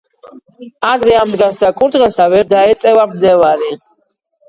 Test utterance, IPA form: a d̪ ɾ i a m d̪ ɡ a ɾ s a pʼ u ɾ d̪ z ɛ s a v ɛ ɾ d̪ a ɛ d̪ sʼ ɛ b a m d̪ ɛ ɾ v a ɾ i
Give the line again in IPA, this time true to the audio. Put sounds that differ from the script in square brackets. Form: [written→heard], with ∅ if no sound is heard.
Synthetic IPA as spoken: a d̪ ɾ [i→ɛ] a m d̪ ɡ a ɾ s a [pʼ→kʼ] u ɾ d̪ [z→ʁ] ɛ s a v ɛ ɾ d̪ a ɛ [d̪→t̪] sʼ ɛ [b→v] a m d̪ ɛ [ɾ→∅] v a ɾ i